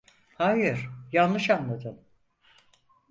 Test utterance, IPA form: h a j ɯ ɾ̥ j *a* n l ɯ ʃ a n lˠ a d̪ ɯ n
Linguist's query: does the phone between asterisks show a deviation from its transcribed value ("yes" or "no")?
no